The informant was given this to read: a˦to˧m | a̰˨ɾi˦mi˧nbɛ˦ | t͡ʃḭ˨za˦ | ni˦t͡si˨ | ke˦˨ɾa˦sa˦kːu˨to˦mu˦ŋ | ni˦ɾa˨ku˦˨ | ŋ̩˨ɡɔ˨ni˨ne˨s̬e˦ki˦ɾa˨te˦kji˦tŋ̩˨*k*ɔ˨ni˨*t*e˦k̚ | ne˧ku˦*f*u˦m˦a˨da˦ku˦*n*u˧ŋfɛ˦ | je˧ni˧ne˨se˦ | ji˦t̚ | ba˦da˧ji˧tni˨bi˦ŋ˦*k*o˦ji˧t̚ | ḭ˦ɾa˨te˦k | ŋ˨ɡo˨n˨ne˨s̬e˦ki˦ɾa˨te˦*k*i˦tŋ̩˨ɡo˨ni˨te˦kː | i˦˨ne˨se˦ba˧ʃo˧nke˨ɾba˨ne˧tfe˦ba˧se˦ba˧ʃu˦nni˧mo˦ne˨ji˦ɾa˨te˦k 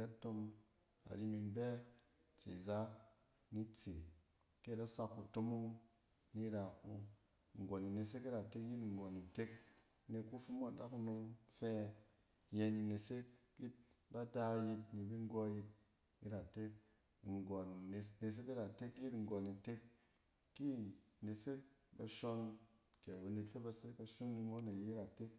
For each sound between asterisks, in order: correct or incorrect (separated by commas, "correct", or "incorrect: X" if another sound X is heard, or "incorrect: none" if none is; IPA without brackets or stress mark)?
incorrect: ɡ, correct, correct, correct, incorrect: ɡ, correct